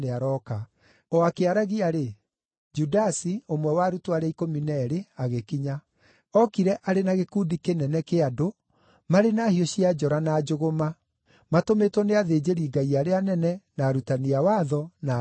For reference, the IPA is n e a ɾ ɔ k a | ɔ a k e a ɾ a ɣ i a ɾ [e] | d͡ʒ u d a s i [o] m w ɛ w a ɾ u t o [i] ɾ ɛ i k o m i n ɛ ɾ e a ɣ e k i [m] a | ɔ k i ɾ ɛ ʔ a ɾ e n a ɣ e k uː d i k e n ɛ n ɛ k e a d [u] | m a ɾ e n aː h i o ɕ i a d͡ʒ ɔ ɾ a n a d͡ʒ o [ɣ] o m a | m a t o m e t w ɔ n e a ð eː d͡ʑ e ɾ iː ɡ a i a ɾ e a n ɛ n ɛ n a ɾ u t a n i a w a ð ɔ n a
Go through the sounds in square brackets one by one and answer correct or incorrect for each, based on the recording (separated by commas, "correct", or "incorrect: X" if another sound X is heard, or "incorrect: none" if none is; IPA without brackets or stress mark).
correct, correct, incorrect: a, incorrect: ɲ, incorrect: o, correct